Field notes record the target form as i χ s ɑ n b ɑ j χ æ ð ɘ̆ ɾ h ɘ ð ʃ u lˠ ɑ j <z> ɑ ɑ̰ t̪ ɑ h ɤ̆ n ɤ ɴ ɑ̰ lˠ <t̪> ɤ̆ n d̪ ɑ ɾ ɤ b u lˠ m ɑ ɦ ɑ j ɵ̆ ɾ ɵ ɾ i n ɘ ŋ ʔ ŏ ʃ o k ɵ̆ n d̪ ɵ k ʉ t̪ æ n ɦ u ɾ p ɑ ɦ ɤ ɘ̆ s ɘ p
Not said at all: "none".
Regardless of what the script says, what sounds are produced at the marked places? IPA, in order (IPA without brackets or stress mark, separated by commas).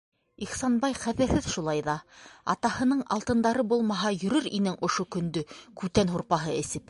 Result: ð, t̪